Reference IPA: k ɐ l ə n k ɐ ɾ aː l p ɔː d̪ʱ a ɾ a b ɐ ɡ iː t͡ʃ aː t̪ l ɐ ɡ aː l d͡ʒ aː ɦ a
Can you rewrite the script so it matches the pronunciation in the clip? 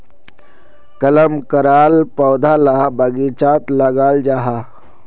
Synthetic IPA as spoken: k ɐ l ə m k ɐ ɾ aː l p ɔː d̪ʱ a l a b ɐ ɡ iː t͡ʃ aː t̪ l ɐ ɡ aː l d͡ʒ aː ɦ a